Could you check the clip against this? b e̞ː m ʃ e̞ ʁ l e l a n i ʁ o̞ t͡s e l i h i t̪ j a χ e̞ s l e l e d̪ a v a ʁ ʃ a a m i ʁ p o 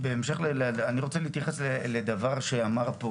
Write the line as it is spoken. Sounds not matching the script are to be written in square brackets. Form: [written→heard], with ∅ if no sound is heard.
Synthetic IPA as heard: b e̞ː m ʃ e̞ [ʁ→χ] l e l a n i ʁ o̞ t͡s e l i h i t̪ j a χ e̞ s l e l e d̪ a v a ʁ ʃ [a→e] a m [i→a] ʁ p o

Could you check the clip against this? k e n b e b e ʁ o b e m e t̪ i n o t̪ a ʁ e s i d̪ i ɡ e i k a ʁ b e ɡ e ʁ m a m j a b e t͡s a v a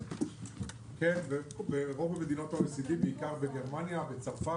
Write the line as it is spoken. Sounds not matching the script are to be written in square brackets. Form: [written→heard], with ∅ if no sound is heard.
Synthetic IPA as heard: k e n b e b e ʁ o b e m e [t̪→d̪] i n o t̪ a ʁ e s i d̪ i [ɡ→b] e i k a ʁ b e ɡ e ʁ m a [m→n] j a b e t͡s a [v→f] a

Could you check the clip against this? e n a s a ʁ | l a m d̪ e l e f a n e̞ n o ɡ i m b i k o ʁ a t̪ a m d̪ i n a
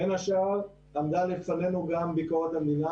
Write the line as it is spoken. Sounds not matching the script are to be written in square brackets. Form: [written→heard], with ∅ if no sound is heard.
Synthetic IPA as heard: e n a [s→ʃ] a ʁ | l a m d̪ [e→a] l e f a n e̞ n [o→u] ɡ [i→a] m b i k o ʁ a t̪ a m d̪ i n a

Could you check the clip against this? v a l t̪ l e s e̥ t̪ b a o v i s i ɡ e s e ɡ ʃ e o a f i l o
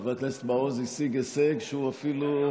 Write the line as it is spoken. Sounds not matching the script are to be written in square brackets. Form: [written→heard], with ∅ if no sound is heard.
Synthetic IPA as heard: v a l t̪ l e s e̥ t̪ b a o [v→z] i s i ɡ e s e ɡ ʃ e [o→u] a f i l [o→u]

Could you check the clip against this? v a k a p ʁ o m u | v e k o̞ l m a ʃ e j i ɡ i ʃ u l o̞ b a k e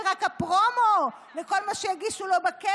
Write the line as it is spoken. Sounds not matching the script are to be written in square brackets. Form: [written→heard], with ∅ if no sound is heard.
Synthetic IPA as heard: [v→ʁ] a k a p ʁ o m [u→o] | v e k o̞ l m a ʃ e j [i→a] ɡ i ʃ u l o̞ b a k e

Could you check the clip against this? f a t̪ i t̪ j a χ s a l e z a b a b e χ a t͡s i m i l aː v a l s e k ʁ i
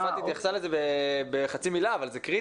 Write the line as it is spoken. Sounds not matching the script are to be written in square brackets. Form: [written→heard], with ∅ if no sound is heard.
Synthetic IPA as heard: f a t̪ i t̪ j a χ s a l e z [a→e] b [a→e] b e χ a t͡s i m i l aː v a l [s→z] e k ʁ i

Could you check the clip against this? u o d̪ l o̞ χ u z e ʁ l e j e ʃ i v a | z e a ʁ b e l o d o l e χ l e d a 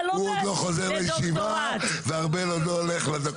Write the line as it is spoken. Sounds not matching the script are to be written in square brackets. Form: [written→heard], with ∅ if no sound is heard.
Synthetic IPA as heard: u o d̪ l o̞ χ [u→o] z e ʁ l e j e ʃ i v a | [z→v] e a ʁ b e l o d o l e χ l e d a

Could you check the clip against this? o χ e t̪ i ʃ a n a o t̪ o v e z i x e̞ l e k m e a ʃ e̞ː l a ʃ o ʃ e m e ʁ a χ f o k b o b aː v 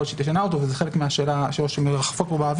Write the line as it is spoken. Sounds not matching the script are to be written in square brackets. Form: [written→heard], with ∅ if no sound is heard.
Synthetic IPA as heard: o [χ→ʃ] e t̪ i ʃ a n a o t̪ o v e z [i→e] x e̞ l e k m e a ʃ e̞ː l a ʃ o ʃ e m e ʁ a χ f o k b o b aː v

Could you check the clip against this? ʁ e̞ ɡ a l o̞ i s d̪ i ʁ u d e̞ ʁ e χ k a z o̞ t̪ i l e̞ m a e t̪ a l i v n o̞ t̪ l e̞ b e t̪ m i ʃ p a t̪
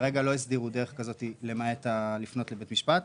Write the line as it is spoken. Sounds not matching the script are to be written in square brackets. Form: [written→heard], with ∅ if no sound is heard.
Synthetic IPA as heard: ʁ e̞ ɡ a l o̞ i s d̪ i ʁ u d e̞ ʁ e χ k a z o̞ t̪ i l e̞ m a e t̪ a l i [v→f] n o̞ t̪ l e̞ b e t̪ m i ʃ p a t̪

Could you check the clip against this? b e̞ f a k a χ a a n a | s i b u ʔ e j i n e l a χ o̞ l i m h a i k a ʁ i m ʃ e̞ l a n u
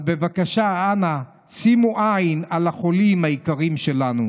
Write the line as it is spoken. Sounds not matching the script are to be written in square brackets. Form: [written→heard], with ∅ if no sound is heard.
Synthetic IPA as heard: b e̞ [f→v] a k a [χ→ʃ] a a n a | s i [b→m] u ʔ [e→a] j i n [e→a] l a χ o̞ l i m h a i k a ʁ i m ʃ e̞ l a n u

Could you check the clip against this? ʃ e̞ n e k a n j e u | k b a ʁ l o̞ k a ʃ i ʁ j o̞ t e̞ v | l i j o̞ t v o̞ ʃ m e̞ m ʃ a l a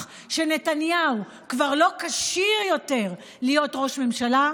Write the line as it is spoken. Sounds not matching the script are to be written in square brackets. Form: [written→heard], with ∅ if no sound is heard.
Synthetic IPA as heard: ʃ e̞ n e [k→t] a n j [e→a] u | k [b→v] a ʁ l o̞ k a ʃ i ʁ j o̞ t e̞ [v→ʁ] | l i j o̞ t [v→ʁ] o̞ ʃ m e̞ m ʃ a l a

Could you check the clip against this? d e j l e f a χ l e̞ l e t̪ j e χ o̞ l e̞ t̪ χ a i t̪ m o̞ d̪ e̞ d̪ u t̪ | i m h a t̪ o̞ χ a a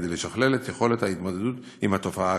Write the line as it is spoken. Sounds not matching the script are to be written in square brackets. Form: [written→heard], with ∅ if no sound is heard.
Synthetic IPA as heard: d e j l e [f→ʃ] a χ l e̞ l e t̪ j e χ o̞ l e̞ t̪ [χ→h] a i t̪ m o̞ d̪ e̞ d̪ u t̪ | i m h a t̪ o̞ [χ→f] a a

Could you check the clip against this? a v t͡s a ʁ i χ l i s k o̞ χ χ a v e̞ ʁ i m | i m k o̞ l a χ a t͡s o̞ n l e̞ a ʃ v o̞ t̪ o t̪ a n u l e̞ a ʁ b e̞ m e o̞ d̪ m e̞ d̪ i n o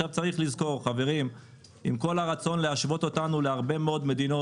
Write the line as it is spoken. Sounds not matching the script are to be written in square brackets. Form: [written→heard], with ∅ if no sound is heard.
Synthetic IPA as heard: a v t͡s a ʁ i χ l i [s→z] k o̞ [χ→ʁ] χ a v e̞ ʁ i m | i m k o̞ l a [χ→ʁ] a t͡s o̞ n l e̞ a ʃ v o̞ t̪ o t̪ a n u l e̞ a ʁ b e̞ m e o̞ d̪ m e̞ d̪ i n o

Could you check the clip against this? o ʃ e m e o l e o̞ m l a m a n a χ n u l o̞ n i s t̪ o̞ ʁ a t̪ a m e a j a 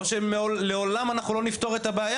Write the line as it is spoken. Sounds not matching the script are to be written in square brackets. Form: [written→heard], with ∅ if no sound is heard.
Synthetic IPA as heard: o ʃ e m e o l e o̞ [m→∅] l a m a n a χ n u l o̞ n i [s→f] t̪ o̞ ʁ [a→e] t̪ a [m→b] e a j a

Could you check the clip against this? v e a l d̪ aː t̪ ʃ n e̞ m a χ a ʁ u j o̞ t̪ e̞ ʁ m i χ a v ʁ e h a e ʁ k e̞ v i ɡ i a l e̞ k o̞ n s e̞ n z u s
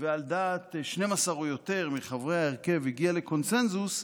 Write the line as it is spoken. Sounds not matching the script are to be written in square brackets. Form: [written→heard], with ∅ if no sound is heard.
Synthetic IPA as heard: v e a l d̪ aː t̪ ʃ n e̞ m a [χ→s] a ʁ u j o̞ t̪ e̞ ʁ m i χ a v ʁ e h a e ʁ k e̞ v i ɡ i a l e̞ k o̞ n s e̞ n z u s

